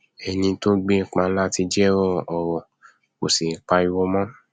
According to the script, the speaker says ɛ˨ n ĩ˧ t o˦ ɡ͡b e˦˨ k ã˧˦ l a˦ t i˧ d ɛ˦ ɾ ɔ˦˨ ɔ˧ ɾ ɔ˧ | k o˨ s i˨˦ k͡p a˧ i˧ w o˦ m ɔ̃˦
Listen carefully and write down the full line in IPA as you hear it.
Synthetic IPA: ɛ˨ n ĩ˧ t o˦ ɡ͡b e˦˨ k͡p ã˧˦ l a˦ t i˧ d͡ʒ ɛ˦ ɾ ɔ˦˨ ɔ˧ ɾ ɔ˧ | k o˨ s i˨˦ k͡p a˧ i˧ w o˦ m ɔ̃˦